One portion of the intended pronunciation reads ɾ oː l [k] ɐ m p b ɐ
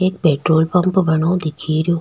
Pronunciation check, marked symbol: incorrect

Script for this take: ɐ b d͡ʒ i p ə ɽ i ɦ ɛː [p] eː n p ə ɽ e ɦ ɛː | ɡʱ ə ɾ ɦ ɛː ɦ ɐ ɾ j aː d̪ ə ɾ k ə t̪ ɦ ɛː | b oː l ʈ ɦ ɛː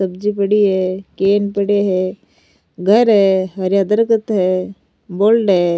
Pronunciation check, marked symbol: incorrect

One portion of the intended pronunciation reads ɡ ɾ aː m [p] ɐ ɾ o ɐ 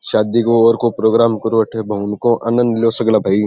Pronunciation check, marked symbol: incorrect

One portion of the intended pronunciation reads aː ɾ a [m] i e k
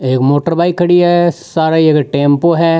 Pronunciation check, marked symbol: incorrect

